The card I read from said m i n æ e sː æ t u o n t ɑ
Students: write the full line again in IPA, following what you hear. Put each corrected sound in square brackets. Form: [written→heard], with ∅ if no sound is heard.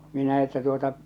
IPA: m i n æ e [sː→tː] æ t u o [n→∅] t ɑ